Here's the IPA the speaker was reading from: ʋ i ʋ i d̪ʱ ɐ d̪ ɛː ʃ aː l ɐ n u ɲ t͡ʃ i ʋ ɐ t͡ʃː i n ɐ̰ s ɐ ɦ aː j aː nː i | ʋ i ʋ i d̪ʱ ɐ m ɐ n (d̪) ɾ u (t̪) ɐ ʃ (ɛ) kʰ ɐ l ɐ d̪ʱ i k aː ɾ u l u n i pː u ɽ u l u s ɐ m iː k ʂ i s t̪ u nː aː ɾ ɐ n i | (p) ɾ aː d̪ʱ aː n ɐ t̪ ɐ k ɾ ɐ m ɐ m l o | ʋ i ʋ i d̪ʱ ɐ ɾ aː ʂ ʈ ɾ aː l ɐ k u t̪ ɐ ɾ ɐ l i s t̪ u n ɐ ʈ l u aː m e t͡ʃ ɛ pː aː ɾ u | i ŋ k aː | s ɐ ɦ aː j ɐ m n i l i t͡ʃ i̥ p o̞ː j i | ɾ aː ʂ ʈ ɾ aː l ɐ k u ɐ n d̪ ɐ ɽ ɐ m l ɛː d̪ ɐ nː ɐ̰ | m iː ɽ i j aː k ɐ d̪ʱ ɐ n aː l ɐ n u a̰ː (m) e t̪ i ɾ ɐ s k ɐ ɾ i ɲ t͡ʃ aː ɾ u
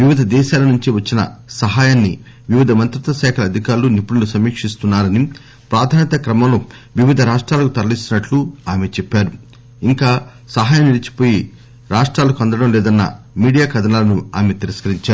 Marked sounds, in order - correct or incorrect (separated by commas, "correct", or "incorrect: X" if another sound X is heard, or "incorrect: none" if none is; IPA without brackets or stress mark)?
incorrect: t̪, correct, incorrect: ɛː, correct, correct